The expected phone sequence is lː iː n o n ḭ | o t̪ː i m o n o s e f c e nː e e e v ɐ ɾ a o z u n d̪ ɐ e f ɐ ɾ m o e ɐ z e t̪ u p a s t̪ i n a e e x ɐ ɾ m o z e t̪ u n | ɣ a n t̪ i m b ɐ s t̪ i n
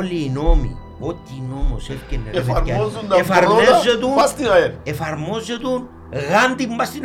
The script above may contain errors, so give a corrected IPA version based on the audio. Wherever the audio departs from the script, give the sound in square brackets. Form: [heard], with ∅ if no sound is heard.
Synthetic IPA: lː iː n o [m] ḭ | o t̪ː i [n] o [m] o s e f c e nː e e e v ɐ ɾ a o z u n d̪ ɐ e f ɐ ɾ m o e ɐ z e t̪ u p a s t̪ i n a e e [f] ɐ ɾ m o z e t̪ u n | ɣ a n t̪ i m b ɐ s t̪ i n